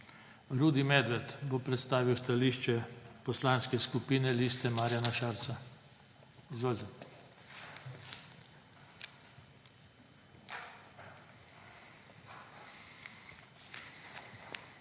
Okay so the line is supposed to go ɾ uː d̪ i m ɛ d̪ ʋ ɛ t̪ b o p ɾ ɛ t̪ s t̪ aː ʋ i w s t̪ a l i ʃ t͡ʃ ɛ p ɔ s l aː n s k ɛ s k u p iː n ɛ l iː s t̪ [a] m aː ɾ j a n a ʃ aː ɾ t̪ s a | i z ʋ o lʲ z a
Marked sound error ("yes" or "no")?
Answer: yes